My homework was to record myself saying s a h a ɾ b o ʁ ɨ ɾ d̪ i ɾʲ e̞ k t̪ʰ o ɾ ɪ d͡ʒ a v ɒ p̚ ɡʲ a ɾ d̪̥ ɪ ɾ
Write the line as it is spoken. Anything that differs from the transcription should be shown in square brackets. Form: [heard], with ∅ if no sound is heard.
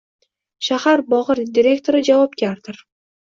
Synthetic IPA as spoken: [ʃ] a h a ɾ b [ɒ] ʁ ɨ ɾ d̪ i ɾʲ e̞ k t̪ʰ o ɾ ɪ d͡ʒ a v ɒ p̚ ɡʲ a ɾ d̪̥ ɪ ɾ